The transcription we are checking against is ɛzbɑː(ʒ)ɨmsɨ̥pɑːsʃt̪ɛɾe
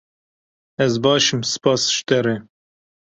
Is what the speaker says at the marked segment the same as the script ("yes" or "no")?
no